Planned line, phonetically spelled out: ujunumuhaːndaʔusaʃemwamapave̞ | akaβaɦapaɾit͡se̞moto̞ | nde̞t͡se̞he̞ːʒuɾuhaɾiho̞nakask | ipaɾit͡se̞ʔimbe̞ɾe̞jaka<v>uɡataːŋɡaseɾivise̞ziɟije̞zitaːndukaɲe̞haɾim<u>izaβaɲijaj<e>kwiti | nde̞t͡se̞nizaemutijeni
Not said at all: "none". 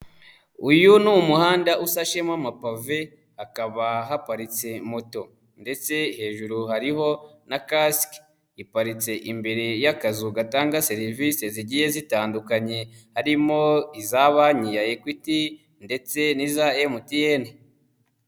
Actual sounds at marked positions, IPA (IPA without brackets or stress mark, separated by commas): z, o, e